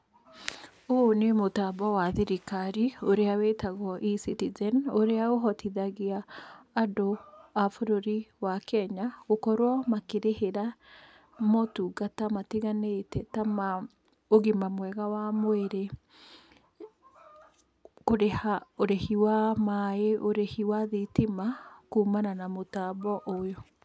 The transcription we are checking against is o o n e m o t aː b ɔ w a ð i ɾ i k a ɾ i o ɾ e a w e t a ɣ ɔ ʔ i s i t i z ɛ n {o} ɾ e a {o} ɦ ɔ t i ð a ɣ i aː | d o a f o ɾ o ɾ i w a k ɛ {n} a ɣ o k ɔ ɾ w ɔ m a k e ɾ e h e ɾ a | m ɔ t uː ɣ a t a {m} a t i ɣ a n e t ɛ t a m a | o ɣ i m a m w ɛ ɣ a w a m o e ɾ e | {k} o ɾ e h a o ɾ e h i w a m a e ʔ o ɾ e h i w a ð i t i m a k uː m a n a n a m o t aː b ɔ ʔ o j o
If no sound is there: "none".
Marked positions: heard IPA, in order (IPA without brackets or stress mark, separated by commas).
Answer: o, o, ɲ, m, k